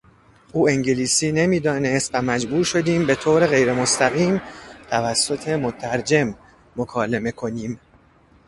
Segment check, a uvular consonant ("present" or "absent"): absent